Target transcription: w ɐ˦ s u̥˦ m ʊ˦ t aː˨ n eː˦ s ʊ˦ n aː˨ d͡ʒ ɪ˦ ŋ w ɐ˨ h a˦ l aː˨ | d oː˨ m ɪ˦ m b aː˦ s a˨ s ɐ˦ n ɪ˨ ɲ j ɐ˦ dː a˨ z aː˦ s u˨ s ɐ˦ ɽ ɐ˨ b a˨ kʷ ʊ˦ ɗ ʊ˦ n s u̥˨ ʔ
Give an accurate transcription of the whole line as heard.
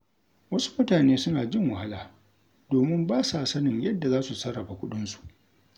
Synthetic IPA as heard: w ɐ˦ s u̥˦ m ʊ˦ t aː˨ n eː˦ s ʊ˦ n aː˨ d͡ʒ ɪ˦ ŋ w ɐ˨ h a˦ l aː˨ | d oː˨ m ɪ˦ m b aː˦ s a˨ s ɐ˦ n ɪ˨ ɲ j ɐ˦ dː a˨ z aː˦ s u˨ s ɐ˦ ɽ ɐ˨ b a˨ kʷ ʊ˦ ɗ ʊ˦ n s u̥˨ ʔ